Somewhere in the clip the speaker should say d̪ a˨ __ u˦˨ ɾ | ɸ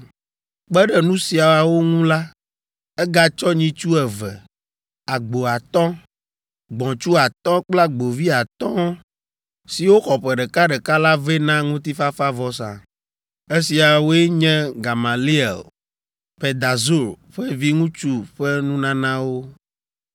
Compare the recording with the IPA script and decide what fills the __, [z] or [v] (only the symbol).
z